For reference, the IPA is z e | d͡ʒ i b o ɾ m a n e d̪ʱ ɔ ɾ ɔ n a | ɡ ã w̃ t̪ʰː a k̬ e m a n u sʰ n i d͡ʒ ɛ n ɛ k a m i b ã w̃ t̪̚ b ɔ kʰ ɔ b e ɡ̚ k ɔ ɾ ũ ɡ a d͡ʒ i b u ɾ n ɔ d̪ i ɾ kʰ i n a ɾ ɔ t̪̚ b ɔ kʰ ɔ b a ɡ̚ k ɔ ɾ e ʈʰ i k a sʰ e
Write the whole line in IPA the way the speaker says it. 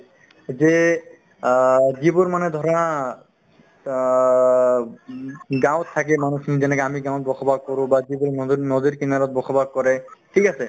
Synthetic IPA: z e | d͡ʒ i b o ɾ m a n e d̪ʱ ɔ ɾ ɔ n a | ɡ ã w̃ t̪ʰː a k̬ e m a n u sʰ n i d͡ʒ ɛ n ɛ k a m i ɡ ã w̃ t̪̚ b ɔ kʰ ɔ b a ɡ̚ k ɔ ɾ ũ b a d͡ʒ i b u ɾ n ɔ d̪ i ɾ k i n a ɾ ɔ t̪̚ b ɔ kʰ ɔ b a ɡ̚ k ɔ ɾ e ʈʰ i k a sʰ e